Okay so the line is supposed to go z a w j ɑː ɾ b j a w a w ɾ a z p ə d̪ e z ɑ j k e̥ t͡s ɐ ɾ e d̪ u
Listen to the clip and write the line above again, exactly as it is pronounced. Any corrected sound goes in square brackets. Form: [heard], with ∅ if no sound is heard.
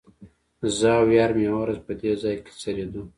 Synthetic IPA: z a w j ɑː ɾ [m] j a w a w ɾ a z p ə d̪ e z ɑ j k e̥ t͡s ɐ ɾ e d̪ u